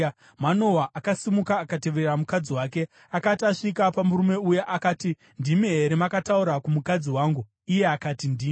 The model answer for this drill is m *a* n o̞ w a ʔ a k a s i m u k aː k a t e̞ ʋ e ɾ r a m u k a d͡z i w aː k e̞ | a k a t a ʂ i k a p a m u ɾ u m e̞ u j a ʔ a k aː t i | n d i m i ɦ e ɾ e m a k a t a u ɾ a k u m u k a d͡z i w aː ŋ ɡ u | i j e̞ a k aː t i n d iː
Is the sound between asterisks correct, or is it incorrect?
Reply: correct